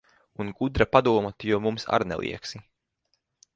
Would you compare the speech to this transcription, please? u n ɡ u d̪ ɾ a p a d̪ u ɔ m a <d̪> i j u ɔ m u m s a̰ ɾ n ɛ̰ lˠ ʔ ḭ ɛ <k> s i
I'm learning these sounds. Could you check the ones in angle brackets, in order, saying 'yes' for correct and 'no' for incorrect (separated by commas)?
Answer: no, yes